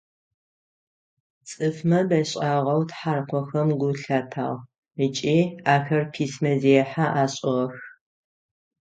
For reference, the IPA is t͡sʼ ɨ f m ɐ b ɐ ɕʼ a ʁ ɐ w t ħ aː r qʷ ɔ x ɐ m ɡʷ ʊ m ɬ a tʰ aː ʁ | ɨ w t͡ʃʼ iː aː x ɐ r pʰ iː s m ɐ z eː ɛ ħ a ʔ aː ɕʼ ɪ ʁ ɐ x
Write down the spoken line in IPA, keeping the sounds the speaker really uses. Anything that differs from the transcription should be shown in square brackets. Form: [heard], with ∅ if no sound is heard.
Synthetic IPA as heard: t͡sʼ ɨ f m ɐ b ɐ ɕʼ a ʁ ɐ w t ħ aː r qʷ ɔ x ɐ m ɡʷ ʊ [∅] ɬ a tʰ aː ʁ | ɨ [∅] t͡ʃʼ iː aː x ɐ r pʰ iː s m ɐ z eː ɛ ħ a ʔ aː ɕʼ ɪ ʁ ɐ x